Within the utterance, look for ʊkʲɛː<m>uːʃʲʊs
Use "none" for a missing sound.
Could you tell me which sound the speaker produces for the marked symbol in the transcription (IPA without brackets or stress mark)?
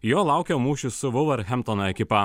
m